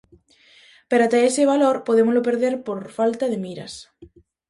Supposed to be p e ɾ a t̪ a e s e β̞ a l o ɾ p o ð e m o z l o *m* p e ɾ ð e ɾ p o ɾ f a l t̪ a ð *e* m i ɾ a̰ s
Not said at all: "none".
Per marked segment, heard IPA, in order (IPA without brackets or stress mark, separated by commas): none, e